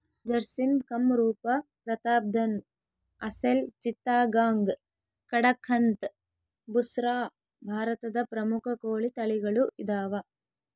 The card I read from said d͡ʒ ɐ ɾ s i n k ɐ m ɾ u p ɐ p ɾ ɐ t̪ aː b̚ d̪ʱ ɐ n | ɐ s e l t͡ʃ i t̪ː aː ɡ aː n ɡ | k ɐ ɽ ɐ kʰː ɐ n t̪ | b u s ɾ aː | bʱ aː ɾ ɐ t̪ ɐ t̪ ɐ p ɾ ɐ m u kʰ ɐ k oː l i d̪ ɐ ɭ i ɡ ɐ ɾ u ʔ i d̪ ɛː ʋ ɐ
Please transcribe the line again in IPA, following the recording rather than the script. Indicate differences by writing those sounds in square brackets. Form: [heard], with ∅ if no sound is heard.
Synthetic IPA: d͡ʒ ɐ ɾ s i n k ɐ m ɾ [uː] p ɐ p ɾ ɐ t̪ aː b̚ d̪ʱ ɐ n | ɐ s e l t͡ʃ i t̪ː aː ɡ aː [ŋ] ɡ | k ɐ ɽ ɐ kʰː ɐ n t̪ | b u s ɾ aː | bʱ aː ɾ ɐ t̪ ɐ [d̪] ɐ p ɾ ɐ m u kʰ ɐ k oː [ɭ] i [t̪] ɐ ɭ i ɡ ɐ [ɭ] u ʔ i d̪ [aː] ʋ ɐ